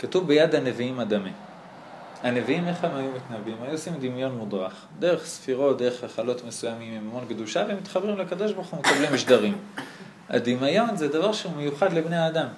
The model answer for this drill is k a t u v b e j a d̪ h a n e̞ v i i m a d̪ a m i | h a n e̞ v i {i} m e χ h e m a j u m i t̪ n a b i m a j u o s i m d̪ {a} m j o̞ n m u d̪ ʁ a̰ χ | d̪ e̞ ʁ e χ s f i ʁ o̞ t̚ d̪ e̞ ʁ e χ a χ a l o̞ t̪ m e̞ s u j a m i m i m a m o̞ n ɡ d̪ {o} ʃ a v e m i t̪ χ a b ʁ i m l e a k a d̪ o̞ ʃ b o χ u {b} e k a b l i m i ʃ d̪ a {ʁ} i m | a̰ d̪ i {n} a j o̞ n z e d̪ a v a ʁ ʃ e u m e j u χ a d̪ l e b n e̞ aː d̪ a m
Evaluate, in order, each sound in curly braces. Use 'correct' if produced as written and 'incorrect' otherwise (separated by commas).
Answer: correct, incorrect, incorrect, incorrect, correct, incorrect